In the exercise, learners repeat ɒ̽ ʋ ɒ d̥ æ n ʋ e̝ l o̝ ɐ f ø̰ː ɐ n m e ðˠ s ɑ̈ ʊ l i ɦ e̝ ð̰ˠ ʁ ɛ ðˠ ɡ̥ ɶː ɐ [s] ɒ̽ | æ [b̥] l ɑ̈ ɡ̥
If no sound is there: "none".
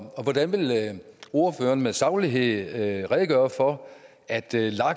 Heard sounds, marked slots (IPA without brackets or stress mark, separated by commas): f, d̥